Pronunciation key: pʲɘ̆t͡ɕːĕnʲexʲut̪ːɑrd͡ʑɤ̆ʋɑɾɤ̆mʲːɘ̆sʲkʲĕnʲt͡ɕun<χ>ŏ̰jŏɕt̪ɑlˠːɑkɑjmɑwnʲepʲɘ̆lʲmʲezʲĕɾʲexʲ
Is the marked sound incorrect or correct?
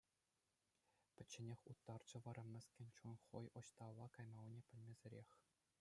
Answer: correct